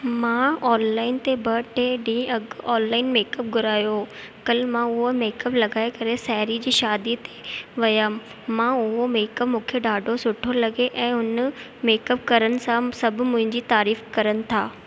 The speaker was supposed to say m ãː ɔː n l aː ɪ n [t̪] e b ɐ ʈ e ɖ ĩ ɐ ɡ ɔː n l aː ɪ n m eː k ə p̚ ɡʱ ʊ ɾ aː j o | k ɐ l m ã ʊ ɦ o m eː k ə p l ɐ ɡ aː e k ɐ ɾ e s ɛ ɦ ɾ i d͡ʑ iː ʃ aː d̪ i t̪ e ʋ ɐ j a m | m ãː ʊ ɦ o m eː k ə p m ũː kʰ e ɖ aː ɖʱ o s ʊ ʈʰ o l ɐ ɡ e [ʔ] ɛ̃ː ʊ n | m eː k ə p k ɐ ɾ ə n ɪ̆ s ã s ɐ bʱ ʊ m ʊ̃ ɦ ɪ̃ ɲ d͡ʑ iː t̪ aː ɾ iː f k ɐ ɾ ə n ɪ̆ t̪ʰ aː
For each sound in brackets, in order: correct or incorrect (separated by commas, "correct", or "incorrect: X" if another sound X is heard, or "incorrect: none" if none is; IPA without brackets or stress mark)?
correct, correct